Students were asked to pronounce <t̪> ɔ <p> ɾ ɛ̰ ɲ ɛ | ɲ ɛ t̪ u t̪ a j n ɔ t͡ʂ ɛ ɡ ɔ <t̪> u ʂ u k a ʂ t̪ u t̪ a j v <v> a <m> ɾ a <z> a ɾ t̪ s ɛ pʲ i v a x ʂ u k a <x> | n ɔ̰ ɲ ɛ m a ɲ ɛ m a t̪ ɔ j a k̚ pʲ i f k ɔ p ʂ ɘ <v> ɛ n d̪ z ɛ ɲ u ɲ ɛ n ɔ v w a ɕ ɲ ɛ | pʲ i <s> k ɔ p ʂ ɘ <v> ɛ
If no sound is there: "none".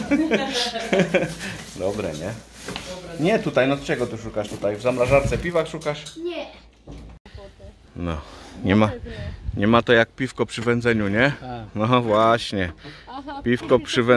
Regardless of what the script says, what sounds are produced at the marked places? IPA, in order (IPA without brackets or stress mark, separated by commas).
d̪, b, t̪, z, m, ʐ, ʂ, v, f, v